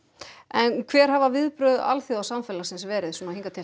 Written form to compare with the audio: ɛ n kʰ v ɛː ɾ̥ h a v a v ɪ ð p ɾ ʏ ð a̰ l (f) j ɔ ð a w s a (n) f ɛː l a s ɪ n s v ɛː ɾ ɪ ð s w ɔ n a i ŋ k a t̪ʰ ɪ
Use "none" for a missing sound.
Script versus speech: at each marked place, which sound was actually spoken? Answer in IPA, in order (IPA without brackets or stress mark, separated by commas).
θ, m